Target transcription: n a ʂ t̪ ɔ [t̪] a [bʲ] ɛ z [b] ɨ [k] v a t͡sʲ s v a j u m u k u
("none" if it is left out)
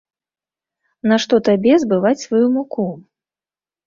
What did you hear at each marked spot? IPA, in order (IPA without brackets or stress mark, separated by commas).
t̪, bʲ, b, none